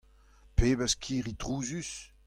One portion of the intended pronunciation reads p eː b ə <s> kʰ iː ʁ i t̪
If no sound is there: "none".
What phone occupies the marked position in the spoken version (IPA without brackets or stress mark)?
s